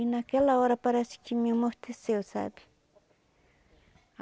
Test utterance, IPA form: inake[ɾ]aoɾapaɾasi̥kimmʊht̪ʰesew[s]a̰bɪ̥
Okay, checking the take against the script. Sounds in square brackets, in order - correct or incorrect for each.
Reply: incorrect, correct

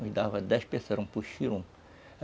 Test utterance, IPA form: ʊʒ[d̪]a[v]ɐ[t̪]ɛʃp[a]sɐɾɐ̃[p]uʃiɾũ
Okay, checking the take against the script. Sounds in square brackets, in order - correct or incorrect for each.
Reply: correct, correct, incorrect, incorrect, correct

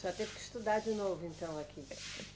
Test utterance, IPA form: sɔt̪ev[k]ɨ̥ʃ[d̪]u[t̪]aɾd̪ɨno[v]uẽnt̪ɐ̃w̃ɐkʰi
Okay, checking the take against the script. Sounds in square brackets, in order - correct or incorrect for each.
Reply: correct, incorrect, incorrect, correct

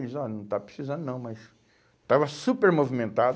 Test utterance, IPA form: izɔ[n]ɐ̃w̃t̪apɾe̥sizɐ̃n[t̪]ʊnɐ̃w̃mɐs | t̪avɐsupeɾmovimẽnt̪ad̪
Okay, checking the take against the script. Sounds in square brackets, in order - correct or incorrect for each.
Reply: correct, incorrect

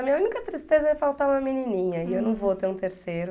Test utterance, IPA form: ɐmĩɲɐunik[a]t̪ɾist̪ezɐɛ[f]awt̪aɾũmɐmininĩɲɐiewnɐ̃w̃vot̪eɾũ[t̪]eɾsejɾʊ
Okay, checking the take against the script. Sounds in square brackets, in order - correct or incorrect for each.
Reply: incorrect, correct, correct

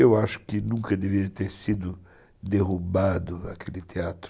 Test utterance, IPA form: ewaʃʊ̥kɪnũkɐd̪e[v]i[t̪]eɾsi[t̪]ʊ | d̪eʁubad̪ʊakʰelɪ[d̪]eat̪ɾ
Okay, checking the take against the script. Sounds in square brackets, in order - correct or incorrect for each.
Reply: correct, correct, incorrect, incorrect

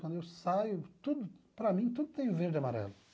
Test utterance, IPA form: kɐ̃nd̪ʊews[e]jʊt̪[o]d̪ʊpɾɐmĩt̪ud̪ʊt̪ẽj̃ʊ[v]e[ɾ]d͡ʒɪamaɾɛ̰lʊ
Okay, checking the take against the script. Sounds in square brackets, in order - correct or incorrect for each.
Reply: incorrect, incorrect, correct, correct

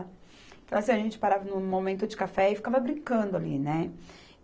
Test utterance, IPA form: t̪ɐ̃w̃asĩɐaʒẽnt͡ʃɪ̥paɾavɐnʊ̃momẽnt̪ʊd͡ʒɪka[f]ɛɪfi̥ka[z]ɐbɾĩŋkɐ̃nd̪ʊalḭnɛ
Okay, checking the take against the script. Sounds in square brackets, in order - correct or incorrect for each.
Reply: correct, incorrect

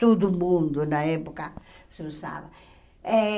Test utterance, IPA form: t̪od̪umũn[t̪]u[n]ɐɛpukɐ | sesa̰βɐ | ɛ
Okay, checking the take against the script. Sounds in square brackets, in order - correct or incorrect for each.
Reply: incorrect, correct

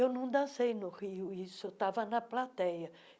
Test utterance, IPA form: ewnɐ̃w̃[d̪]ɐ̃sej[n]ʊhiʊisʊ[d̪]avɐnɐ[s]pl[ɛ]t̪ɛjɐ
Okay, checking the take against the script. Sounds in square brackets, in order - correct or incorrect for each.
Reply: correct, correct, incorrect, incorrect, incorrect

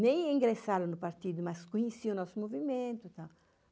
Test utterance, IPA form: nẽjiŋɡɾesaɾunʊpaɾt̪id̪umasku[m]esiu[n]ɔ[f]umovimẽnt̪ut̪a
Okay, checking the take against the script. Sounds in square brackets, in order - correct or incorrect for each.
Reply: incorrect, correct, incorrect

